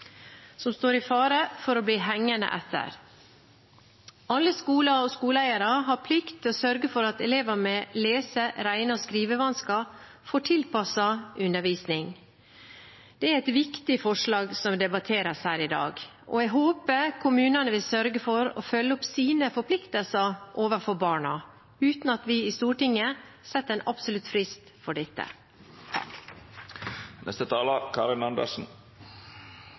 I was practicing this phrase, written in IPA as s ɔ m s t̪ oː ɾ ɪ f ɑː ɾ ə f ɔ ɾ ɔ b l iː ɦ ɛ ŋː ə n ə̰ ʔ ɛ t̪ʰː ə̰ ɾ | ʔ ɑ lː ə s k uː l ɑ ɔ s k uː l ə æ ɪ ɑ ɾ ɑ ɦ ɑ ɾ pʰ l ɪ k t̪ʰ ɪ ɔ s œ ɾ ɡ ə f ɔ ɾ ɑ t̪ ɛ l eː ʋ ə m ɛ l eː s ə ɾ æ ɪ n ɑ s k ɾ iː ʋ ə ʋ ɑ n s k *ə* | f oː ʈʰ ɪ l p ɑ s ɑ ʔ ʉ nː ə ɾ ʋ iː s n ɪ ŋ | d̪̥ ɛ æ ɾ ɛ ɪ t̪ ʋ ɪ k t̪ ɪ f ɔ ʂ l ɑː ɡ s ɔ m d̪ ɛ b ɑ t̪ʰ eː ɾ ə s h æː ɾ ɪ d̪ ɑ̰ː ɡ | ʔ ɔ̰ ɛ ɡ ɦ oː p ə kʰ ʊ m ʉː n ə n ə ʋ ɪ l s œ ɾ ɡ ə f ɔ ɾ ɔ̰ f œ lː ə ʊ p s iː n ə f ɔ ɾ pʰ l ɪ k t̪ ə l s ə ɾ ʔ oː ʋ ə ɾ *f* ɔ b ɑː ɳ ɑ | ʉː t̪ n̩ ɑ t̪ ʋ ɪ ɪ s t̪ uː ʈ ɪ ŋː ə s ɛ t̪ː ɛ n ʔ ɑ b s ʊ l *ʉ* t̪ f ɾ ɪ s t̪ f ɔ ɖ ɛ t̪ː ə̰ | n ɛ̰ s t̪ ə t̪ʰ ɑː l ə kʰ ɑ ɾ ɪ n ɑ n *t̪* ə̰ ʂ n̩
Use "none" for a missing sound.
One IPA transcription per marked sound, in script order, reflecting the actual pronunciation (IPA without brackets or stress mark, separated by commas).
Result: ɑ, f, ʉ, d̪